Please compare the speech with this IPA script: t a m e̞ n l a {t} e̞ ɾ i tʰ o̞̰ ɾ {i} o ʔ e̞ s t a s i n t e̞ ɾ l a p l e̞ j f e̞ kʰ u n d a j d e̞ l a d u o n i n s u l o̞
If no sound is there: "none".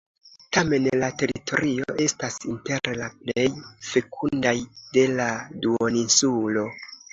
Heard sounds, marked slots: t, i

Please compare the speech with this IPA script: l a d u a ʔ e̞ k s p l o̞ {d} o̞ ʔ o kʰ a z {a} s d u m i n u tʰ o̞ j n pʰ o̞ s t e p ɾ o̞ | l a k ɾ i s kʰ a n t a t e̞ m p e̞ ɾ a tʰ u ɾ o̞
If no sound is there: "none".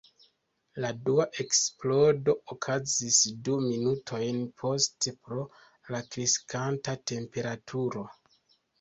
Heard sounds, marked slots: d, i

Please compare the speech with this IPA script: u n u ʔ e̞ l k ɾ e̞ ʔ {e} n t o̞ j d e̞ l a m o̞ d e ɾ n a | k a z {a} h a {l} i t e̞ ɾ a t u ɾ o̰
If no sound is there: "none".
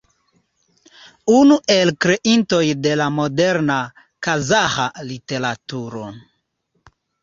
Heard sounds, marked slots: i, a, l

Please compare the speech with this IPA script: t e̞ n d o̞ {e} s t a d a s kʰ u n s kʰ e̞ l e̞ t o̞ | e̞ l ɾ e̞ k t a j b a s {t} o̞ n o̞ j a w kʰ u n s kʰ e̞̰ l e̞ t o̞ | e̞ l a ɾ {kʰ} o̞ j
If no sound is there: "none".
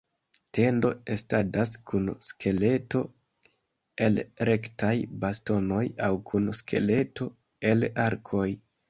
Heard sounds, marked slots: e, t, kʰ

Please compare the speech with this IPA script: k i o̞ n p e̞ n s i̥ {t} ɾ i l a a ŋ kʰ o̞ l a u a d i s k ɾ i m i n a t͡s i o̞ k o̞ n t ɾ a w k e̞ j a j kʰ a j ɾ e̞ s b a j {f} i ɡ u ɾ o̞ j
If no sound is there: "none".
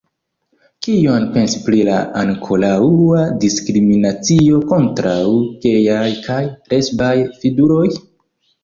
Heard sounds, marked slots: p, f

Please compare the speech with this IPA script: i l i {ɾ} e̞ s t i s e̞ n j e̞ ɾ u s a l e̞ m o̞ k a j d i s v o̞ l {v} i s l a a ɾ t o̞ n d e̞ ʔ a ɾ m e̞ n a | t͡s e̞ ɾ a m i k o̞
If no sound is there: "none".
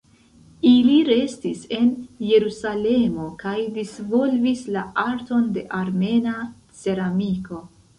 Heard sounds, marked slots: ɾ, v

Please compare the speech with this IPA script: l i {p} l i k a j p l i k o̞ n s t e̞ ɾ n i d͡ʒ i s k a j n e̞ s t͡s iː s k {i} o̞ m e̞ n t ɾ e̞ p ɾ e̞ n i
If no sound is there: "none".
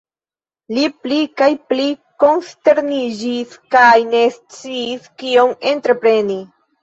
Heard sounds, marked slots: p, i

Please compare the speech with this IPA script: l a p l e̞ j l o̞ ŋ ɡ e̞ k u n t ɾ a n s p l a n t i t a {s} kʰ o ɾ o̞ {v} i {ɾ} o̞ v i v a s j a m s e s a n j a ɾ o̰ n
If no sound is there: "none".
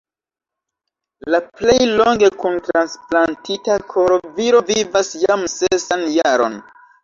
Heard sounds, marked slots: none, v, ɾ

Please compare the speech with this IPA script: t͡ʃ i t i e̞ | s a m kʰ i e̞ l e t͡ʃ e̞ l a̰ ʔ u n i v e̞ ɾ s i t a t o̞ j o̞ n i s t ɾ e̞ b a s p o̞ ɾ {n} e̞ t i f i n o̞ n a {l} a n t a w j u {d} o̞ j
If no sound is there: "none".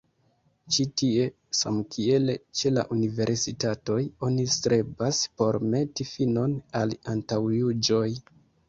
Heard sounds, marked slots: m, l, d͡ʒ

